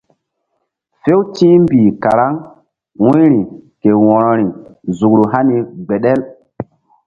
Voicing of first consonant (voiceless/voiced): voiceless